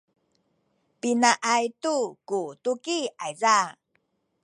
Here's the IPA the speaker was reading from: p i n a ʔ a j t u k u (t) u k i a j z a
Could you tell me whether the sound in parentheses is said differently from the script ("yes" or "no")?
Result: no